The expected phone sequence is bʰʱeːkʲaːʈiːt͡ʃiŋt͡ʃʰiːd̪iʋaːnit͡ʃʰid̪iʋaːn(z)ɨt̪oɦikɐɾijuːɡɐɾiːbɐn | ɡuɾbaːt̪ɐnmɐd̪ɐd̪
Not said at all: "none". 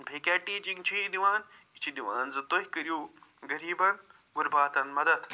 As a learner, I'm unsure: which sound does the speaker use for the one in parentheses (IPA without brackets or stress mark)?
z